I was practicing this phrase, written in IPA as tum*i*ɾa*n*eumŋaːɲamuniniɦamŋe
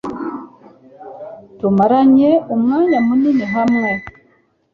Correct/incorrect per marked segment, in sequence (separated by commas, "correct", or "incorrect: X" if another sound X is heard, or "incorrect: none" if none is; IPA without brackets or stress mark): incorrect: a, incorrect: ɲ